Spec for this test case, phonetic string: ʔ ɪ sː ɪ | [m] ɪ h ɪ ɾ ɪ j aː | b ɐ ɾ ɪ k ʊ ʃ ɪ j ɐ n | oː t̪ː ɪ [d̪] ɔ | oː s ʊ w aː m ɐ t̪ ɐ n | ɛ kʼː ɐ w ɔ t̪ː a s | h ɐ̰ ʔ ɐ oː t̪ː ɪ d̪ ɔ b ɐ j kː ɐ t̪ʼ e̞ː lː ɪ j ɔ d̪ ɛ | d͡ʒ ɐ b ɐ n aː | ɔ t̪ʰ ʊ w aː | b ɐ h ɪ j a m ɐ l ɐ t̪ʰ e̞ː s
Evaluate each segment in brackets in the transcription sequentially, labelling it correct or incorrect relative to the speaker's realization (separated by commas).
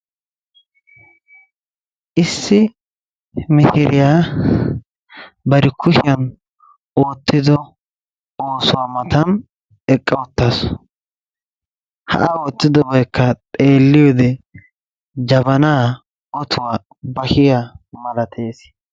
correct, correct